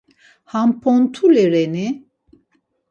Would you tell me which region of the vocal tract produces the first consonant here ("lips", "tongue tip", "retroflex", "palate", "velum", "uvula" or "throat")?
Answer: throat